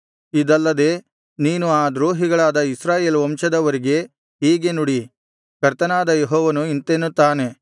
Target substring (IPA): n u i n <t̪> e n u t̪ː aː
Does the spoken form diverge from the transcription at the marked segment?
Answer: no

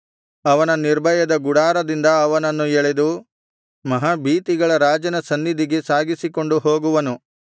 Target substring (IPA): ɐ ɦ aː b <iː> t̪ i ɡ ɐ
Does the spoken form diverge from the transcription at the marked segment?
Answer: no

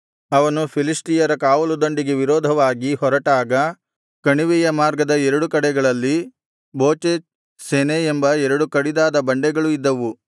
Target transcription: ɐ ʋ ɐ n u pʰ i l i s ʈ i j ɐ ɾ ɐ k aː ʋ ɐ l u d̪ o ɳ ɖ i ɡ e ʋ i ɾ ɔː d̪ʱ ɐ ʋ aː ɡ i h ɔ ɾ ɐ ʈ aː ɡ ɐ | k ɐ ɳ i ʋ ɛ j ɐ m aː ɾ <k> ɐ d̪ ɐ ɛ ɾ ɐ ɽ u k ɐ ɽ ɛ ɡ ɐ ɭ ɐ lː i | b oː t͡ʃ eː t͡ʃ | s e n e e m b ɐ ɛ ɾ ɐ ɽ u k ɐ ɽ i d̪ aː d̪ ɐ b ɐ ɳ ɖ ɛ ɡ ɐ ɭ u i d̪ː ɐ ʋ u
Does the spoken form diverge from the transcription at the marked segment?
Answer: yes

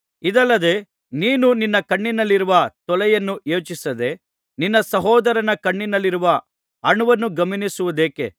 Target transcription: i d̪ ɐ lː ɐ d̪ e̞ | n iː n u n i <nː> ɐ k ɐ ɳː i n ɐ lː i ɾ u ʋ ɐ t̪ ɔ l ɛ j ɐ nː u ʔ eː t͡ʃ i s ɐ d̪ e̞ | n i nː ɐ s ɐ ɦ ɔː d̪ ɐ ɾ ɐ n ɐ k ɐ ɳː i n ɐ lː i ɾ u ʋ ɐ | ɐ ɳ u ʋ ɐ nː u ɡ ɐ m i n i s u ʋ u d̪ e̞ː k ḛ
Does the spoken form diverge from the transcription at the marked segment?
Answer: no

